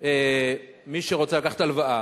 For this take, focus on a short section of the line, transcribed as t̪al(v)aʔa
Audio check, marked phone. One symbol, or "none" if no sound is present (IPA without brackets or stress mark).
v